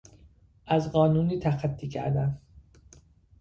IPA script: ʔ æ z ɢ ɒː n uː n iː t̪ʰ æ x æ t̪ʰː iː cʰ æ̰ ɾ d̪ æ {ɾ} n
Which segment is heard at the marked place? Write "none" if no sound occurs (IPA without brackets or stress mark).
none